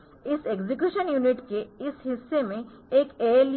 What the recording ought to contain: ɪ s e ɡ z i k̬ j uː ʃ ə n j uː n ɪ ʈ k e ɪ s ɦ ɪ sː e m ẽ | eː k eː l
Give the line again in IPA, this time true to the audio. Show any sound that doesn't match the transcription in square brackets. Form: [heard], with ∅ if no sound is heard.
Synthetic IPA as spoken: ɪ s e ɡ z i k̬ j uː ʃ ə n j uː n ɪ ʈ k e ɪ s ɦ ɪ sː e m ẽ | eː k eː l

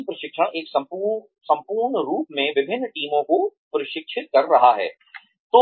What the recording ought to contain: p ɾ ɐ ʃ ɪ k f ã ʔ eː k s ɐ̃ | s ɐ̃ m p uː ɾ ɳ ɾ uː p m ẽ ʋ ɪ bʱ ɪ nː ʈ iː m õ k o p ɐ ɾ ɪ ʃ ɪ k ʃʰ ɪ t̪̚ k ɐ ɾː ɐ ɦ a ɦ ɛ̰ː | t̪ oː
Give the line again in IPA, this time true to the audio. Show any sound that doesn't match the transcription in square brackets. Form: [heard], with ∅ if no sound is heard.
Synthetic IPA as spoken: p ɾ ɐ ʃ ɪ k [ʃ] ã ʔ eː k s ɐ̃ | s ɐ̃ m p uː ɾ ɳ ɾ uː p m ẽ ʋ ɪ bʱ ɪ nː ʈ iː m õ k o p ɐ ɾ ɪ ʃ ɪ k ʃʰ ɪ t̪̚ k ɐ ɾː ɐ ɦ a ɦ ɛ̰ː | t̪ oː

